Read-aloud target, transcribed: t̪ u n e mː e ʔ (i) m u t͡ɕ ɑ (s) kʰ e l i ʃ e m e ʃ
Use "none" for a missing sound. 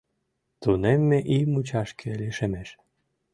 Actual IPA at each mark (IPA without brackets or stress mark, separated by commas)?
i, ʃ